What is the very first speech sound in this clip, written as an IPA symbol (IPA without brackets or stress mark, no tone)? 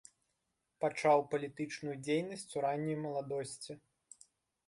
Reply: p